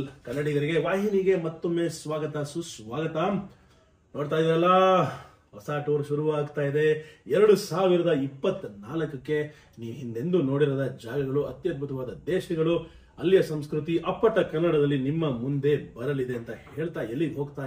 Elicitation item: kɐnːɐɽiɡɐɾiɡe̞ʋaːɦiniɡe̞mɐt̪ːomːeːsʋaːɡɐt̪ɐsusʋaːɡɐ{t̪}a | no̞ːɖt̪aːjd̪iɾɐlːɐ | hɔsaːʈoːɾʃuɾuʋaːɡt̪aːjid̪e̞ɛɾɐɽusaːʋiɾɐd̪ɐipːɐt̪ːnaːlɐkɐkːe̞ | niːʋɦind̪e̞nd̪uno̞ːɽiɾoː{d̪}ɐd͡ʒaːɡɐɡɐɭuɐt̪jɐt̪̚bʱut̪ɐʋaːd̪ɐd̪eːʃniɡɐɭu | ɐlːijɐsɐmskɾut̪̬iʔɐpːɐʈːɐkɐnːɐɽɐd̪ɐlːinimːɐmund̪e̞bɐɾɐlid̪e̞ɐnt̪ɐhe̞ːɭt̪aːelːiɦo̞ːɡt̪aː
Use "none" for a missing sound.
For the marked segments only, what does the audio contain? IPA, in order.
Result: t̪, d̪

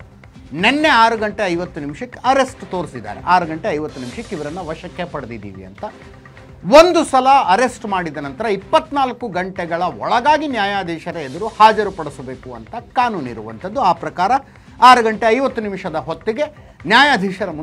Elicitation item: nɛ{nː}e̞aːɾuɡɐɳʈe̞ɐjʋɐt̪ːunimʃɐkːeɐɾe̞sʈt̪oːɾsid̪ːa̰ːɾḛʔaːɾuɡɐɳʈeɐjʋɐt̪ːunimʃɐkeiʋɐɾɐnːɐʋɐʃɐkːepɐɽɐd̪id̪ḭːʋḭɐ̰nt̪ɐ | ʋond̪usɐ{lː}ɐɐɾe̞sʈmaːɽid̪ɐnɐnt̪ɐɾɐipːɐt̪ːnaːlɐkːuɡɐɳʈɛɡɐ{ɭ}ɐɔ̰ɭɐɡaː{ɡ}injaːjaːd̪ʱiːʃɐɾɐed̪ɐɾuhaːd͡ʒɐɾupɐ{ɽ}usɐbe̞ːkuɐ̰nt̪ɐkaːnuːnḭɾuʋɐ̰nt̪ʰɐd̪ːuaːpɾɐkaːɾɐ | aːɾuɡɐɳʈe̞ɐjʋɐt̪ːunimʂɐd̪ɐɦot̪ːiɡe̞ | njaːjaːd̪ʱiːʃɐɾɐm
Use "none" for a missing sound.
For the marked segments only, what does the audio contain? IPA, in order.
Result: nː, l, ɭ, ɡ, ɽ

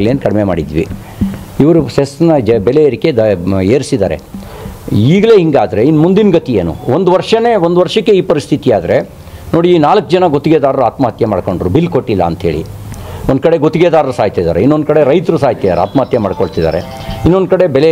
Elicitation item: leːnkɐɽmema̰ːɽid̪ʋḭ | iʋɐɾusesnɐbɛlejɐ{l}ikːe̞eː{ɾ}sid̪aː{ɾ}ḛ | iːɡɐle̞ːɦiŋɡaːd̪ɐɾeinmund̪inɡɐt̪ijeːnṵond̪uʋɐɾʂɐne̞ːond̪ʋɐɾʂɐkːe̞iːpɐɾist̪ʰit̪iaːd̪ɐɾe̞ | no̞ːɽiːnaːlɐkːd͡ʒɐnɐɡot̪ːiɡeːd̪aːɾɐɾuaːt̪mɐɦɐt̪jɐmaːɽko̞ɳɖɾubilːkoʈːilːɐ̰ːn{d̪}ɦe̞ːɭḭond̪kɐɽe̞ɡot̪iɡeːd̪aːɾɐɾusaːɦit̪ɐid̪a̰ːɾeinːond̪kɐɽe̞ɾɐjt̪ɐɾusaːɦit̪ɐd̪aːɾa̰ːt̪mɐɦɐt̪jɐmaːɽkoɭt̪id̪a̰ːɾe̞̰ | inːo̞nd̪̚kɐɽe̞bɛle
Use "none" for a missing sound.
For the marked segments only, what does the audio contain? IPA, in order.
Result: ɾ, ɾ, ɾ, t̪

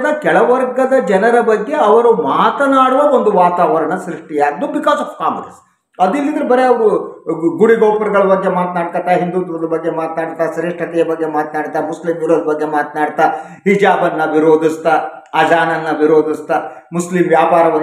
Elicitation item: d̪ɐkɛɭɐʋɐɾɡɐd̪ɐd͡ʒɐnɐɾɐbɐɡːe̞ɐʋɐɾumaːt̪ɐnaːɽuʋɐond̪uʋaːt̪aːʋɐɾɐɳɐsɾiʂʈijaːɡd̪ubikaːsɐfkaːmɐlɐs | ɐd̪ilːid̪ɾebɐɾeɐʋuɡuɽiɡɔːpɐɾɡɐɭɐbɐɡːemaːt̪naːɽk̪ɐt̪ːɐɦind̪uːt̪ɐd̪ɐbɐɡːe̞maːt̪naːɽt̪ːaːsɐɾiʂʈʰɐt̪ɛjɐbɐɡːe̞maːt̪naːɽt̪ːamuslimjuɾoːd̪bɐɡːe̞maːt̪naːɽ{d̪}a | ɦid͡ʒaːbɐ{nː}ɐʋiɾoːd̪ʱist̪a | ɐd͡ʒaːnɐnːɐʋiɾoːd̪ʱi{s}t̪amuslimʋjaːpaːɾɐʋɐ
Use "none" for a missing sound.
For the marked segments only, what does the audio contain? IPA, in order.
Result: t̪, nː, s

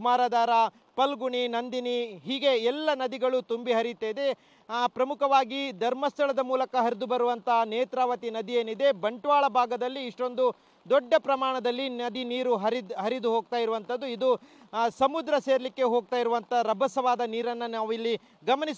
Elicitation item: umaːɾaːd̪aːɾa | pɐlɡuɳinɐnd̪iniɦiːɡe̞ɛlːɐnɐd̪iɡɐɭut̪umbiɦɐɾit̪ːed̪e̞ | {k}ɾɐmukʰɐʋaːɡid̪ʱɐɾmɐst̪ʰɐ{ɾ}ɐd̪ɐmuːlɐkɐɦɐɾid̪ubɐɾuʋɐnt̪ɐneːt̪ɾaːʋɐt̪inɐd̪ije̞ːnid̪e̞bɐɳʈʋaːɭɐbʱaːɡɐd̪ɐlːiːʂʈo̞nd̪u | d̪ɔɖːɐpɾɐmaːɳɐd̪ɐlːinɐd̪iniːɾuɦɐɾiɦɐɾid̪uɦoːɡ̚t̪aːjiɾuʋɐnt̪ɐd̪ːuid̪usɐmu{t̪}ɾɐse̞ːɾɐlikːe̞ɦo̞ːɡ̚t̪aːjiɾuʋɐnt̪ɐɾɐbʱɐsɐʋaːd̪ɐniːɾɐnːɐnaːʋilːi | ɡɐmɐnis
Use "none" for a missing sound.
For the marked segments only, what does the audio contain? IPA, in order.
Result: p, ɭ, d̪

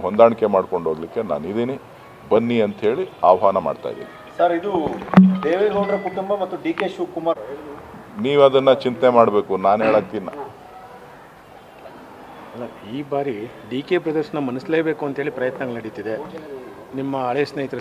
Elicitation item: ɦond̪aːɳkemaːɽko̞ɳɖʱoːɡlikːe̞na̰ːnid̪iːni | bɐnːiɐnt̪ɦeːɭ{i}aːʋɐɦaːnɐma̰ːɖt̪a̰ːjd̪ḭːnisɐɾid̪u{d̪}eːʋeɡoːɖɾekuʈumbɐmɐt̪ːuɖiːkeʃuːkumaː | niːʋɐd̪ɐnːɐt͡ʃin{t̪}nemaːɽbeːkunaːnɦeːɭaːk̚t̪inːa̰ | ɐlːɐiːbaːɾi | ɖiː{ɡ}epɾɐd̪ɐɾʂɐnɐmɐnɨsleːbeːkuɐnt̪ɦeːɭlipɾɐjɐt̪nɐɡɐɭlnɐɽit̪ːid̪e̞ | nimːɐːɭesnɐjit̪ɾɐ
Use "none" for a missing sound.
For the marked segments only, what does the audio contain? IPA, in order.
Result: i, d̪, t̪, k

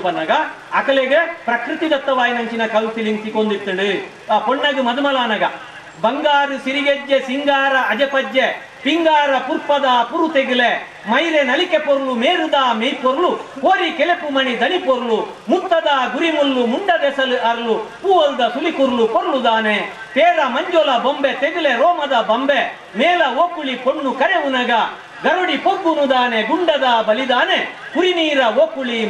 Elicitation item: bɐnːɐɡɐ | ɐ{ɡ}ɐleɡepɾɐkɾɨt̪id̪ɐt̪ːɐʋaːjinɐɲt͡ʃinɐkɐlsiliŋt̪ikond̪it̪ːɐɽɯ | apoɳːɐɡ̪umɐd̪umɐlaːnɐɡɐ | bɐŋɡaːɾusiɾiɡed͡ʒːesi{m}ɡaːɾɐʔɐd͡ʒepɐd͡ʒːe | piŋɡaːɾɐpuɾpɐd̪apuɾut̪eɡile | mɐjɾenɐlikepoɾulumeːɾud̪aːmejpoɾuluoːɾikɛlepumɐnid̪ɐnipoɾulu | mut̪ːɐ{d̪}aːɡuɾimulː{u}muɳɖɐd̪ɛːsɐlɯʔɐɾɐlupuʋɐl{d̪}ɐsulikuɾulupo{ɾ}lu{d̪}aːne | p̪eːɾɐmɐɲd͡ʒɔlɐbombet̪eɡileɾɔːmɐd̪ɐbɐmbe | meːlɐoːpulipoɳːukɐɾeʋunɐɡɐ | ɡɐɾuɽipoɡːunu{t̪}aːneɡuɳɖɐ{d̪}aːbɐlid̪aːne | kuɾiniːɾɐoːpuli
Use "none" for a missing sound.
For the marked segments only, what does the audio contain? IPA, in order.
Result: k, ŋ, d̪, u, d̪, ɾ, d̪, d̪, d̪

